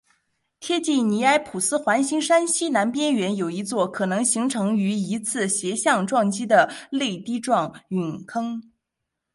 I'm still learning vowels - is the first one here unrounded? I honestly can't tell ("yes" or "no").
yes